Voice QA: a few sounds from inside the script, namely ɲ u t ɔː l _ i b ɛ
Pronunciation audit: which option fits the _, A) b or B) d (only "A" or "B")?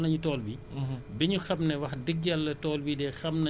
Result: A